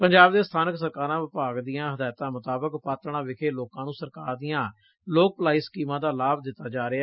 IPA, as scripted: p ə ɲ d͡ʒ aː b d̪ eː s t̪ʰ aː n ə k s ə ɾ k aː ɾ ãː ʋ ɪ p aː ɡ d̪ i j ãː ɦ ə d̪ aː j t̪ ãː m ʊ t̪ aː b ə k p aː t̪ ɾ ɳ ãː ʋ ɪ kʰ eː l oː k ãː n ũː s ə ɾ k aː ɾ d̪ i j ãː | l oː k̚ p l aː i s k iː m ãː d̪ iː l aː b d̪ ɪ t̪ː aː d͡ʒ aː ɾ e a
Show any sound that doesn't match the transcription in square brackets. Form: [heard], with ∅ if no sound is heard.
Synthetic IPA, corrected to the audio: p ə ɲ d͡ʒ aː b d̪ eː s t̪ʰ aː n ə k s ə ɾ k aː ɾ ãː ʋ ɪ p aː ɡ d̪ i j ãː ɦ ə d̪ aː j t̪ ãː m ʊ t̪ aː b ə k p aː t̪ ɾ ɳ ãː ʋ ɪ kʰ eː l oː k ãː n ũː s ə ɾ k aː ɾ d̪ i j ãː | l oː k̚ p l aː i s k iː m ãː d̪ [aː] l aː b d̪ ɪ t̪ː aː d͡ʒ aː ɾ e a